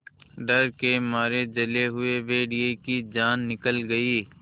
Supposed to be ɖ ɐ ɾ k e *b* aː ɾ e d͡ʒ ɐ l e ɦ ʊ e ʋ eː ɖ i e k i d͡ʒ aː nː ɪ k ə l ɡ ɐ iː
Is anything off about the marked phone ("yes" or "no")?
yes